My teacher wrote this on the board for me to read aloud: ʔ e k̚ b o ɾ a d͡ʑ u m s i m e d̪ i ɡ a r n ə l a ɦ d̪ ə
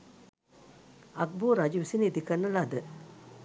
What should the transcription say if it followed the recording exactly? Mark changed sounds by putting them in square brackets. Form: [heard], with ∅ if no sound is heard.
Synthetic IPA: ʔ [a] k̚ b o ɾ a d͡ʑ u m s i [n] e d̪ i [k] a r n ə l a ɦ d̪ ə